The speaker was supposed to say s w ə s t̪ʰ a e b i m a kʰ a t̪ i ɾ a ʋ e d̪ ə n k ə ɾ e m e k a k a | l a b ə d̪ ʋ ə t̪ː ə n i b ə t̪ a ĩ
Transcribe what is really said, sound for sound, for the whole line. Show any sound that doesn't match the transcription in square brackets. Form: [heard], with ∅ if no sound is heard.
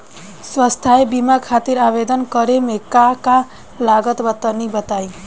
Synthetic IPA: s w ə s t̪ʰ a e b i m a kʰ a t̪ i ɾ a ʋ e d̪ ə n k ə ɾ e m e k a k a | l a [ɡ] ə [t̪] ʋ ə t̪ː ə n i b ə t̪ a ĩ